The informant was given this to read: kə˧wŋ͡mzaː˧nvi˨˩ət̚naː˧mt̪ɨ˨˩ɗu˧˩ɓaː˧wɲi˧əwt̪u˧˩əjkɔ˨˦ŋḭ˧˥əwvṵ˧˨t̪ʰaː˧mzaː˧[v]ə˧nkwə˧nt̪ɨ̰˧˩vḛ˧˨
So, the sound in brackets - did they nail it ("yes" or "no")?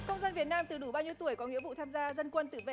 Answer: no